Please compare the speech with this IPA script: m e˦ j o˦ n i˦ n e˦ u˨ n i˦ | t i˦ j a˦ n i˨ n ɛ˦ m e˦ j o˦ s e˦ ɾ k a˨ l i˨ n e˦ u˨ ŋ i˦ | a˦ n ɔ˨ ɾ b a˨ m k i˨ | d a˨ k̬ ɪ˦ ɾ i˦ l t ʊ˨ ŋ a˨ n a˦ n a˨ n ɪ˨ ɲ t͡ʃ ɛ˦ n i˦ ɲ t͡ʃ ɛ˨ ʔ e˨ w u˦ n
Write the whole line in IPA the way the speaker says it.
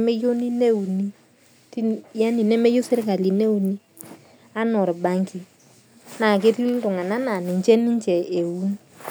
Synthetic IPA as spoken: m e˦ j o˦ n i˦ n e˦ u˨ n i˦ | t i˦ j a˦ n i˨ n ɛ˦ m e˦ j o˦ s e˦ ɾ k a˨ l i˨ n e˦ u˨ n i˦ | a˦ n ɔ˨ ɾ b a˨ ŋ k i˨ | n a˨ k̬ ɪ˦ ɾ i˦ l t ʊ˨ ŋ a˨ n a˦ n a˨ n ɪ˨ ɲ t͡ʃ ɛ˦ n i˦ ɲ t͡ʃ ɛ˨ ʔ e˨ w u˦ n